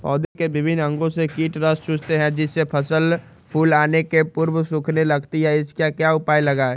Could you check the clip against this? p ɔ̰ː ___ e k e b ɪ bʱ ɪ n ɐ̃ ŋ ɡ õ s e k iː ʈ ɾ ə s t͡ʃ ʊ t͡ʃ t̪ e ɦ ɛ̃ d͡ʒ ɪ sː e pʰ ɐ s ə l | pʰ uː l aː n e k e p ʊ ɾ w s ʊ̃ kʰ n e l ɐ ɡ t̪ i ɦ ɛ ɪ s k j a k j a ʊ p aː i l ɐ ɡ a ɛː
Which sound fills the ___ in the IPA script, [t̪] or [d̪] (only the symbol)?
d̪